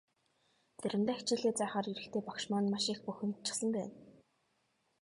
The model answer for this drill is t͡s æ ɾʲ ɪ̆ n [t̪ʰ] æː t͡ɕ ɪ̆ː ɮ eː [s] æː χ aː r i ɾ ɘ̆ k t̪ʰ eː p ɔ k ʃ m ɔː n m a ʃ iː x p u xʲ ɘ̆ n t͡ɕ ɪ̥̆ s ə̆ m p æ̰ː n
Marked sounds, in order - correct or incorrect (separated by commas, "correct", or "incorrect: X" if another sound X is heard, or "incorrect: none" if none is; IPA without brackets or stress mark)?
incorrect: t̪, incorrect: t͡s